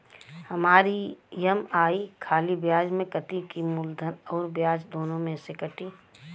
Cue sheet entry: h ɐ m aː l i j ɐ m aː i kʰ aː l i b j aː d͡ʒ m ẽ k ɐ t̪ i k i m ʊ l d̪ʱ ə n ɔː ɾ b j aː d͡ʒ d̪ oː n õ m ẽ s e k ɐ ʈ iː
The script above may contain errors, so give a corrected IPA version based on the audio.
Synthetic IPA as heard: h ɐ m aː ɾ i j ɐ m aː i kʰ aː l i b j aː d͡ʒ m ẽ k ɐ t̪ i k i m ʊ l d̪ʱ ə n ɔː ɾ b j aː d͡ʒ d̪ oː n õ m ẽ s e k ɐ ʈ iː